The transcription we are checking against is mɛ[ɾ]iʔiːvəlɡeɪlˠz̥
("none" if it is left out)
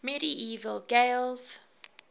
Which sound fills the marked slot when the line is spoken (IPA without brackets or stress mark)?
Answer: ɾ